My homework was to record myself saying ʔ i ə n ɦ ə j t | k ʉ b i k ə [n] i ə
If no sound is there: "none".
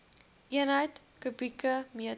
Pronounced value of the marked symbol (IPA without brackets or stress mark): m